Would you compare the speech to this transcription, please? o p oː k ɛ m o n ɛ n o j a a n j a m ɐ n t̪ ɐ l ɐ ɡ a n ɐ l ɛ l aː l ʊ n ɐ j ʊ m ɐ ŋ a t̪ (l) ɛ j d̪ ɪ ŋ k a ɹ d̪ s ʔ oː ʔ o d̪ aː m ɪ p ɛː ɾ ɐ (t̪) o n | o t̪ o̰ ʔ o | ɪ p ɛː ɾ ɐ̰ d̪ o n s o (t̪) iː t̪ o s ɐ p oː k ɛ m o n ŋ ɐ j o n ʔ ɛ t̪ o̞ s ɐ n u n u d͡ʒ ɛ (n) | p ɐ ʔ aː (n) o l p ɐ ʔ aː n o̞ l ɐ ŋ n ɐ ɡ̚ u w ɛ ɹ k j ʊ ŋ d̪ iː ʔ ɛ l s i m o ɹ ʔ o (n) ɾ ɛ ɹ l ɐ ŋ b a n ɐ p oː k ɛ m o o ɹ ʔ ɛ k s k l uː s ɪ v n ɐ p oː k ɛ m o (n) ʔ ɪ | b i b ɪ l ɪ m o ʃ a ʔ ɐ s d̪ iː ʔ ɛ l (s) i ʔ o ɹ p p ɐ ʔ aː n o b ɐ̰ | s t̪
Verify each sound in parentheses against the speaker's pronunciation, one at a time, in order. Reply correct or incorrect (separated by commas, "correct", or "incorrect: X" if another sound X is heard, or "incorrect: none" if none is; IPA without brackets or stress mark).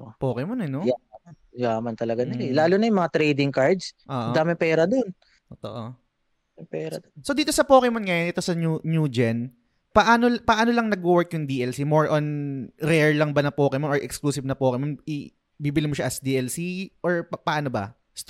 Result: incorrect: ɾ, incorrect: d̪, incorrect: d̪, correct, correct, correct, correct, correct